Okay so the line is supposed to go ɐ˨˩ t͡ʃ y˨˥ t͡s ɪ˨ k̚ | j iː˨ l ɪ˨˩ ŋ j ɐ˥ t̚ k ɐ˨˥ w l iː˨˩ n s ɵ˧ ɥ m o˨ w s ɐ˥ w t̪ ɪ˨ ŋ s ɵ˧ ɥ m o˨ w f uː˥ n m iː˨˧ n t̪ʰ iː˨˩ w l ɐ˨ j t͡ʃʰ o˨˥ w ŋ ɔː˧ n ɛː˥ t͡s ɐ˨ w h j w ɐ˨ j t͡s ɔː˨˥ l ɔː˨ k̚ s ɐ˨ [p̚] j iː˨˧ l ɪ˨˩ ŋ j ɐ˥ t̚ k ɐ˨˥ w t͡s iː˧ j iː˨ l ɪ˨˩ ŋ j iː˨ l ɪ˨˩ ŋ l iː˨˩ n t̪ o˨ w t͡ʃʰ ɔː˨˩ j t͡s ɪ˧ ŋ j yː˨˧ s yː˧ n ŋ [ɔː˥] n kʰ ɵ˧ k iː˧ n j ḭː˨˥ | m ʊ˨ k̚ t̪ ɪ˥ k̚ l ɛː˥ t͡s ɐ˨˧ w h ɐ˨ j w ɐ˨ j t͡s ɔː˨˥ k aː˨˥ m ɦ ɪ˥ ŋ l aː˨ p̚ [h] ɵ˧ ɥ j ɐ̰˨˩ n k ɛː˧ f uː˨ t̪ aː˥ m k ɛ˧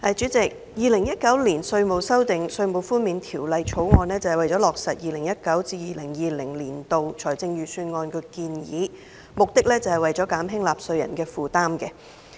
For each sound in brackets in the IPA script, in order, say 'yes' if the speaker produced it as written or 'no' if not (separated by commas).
no, no, no